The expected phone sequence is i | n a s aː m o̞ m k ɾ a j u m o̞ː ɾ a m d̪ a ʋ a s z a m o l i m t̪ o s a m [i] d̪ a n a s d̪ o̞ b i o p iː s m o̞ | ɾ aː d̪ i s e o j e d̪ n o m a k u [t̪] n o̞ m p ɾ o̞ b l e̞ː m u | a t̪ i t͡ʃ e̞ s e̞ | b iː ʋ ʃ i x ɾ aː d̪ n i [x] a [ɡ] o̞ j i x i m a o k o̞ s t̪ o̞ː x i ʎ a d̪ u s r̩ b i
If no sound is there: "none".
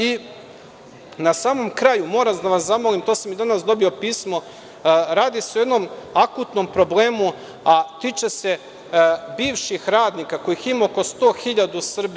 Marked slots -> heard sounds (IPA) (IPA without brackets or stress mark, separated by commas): i, t̪, k, k